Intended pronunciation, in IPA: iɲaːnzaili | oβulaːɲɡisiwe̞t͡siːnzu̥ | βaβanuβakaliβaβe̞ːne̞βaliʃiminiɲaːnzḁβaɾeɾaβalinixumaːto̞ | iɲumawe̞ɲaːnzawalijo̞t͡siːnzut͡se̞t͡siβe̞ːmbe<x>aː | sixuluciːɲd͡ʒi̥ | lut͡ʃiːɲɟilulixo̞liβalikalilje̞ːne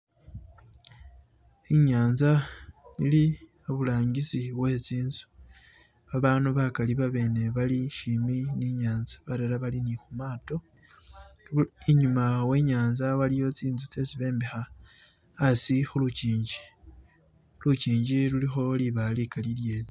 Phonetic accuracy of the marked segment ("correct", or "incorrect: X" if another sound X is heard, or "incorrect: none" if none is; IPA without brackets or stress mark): correct